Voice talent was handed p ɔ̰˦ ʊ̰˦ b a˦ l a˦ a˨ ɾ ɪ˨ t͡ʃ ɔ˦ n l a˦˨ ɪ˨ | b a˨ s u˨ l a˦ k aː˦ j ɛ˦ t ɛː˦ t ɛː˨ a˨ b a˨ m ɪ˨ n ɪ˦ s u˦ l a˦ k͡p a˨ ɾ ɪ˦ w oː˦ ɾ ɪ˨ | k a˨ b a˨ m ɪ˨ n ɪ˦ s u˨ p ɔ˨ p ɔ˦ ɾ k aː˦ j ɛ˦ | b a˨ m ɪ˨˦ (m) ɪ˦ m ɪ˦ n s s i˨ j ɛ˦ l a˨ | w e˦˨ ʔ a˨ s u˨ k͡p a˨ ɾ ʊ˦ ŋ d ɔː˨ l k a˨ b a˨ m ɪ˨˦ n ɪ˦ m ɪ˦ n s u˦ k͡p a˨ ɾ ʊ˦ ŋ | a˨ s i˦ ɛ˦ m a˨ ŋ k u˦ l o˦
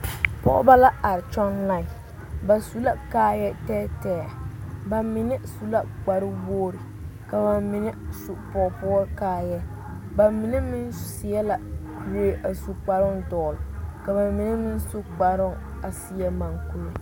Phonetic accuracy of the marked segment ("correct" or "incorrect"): incorrect